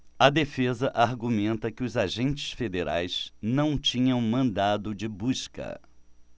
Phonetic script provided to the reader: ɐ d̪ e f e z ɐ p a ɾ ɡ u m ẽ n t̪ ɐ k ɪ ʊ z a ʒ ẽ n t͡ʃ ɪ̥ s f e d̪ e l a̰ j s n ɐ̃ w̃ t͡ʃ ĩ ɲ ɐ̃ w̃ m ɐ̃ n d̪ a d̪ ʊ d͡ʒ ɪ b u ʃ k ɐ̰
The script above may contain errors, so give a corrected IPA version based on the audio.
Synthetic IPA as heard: ɐ d̪ e f e z ɐ ʔ a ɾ ɡ u m ẽ n t̪ ɐ k ɪ ʊ z a ʒ ẽ n t͡ʃ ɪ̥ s f e d̪ e ɾ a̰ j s n ɐ̃ w̃ t͡ʃ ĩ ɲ ɐ̃ w̃ m ɐ̃ n d̪ a d̪ ʊ d͡ʒ ɪ b u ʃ k ɐ̰